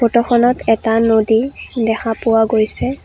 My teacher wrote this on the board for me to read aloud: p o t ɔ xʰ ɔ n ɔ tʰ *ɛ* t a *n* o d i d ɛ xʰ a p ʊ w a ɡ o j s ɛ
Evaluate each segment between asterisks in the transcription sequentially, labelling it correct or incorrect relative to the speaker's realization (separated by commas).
correct, correct